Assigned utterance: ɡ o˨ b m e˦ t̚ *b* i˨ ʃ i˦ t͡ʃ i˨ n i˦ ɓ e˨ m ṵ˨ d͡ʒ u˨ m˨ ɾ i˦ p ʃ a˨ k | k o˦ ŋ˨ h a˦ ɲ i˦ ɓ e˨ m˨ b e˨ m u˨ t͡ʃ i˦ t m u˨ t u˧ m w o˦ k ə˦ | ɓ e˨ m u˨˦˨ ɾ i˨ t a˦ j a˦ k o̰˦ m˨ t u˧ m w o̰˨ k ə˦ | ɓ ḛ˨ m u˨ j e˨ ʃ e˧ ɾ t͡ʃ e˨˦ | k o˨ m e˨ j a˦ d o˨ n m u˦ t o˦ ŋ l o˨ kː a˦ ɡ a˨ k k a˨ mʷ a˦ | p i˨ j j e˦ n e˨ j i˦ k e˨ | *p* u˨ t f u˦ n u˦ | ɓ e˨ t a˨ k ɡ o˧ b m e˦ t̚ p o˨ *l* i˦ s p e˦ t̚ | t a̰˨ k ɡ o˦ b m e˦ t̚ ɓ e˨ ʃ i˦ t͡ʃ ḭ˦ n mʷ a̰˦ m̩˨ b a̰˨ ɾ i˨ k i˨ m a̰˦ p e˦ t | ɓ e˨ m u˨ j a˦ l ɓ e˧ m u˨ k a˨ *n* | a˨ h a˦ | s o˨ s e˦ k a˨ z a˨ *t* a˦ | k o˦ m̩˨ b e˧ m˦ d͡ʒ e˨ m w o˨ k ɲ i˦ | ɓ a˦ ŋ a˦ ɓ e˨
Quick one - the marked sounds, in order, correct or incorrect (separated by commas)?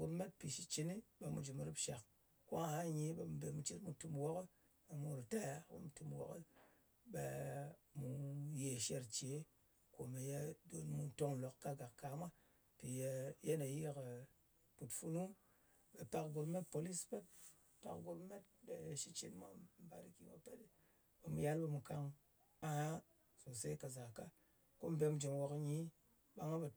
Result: incorrect, correct, correct, incorrect, incorrect